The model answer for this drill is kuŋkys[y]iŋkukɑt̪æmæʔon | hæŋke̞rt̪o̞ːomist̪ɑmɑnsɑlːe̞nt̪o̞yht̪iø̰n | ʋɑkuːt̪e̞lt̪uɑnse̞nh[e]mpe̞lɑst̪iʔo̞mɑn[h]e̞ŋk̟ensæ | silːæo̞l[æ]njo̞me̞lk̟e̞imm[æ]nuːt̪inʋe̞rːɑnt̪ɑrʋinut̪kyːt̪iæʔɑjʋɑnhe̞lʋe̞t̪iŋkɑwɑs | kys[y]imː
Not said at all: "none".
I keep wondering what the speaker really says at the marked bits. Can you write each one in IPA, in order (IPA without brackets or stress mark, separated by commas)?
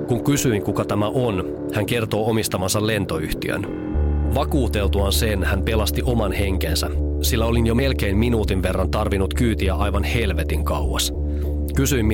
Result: y, æ, h, i, i, y